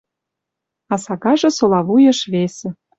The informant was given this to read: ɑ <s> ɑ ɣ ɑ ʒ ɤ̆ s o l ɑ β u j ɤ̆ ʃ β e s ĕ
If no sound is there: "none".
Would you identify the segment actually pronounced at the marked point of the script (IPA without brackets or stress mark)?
s